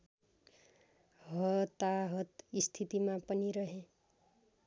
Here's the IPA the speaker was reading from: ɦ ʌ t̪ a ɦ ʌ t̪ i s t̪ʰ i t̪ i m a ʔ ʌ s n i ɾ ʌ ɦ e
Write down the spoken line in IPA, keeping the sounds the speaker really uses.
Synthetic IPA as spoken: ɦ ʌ t̪ a ɦ ʌ t̪ i s t̪ʰ i t̪ i m a p ʌ n i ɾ ʌ ɦ e